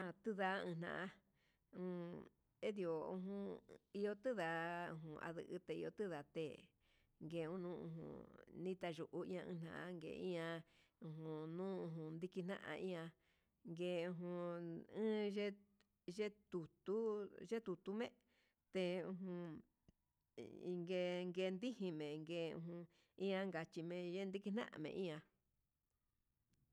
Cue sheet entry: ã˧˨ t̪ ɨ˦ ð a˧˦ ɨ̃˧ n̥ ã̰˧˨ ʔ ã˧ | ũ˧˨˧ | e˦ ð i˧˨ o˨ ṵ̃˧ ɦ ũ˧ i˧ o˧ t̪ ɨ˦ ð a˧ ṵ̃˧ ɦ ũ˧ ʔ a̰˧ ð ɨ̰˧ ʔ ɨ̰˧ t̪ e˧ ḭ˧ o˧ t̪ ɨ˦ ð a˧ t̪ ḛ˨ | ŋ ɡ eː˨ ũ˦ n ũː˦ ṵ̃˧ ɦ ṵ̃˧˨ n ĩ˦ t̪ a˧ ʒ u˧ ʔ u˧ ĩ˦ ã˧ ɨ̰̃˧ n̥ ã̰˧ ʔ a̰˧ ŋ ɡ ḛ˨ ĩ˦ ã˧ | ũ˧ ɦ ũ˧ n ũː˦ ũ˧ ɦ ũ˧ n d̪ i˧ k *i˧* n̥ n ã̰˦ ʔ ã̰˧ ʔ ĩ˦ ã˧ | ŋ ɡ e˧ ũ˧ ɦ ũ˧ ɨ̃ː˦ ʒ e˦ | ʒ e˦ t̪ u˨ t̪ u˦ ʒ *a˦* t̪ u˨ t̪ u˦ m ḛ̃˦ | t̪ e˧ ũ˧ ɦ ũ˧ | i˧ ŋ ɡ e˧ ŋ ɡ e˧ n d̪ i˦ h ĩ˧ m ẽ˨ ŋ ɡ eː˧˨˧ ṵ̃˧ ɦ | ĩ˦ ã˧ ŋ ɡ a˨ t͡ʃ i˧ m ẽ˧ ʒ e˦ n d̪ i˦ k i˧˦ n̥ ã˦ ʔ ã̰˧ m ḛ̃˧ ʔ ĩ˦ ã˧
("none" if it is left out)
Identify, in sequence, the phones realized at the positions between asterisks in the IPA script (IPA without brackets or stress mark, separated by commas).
i˧, e˦